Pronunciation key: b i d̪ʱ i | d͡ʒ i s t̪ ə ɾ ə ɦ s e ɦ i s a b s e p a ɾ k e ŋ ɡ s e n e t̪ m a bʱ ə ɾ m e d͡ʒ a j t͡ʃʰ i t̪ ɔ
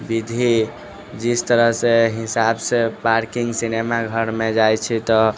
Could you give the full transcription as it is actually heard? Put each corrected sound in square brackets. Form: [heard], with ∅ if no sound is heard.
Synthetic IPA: b i d̪ʱ i | d͡ʒ i s t̪ ə ɾ ə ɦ s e ɦ i s a b s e p a ɾ k [i] ŋ ɡ s [i] n e [∅] m a [ɡʱ] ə ɾ m e d͡ʒ a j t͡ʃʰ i t̪ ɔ